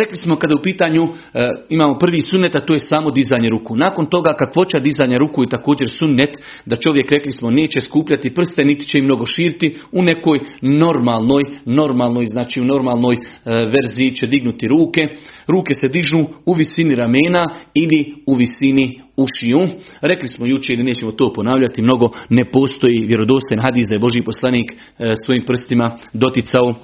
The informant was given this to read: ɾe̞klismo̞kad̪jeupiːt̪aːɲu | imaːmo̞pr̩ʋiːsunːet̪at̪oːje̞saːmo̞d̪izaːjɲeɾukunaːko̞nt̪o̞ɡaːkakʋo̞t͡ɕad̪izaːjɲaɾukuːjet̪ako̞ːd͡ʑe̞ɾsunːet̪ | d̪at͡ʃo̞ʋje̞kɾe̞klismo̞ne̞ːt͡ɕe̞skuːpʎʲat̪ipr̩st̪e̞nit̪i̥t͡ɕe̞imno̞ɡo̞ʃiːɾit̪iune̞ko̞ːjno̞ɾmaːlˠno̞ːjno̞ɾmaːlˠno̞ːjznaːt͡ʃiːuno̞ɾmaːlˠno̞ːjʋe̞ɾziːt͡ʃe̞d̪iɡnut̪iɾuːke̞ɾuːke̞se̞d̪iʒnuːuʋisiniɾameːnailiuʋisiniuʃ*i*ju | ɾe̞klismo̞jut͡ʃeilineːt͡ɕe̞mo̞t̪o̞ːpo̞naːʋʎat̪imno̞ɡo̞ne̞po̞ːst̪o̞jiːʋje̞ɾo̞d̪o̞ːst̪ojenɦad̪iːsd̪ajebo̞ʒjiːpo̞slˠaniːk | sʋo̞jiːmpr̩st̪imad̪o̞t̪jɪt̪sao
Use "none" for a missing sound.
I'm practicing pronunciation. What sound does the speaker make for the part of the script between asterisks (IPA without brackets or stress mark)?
i